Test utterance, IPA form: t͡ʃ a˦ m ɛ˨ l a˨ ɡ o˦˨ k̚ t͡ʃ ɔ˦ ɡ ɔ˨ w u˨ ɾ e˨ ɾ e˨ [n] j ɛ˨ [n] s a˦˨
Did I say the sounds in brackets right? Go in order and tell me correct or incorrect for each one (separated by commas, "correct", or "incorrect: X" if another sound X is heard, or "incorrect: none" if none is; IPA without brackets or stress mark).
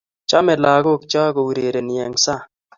correct, incorrect: ŋ